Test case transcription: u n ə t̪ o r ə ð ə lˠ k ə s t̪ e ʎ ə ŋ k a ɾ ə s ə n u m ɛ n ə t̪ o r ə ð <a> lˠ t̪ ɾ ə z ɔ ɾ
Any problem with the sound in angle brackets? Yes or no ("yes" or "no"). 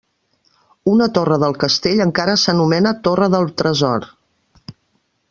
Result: yes